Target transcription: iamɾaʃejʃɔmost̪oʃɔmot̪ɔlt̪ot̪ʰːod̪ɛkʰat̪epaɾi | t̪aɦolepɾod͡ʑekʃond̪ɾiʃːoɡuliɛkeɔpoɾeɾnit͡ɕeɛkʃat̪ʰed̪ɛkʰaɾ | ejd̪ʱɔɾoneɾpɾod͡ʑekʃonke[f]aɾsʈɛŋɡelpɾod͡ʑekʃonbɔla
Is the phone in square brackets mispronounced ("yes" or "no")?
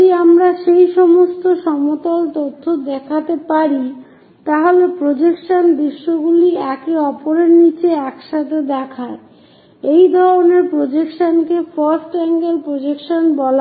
no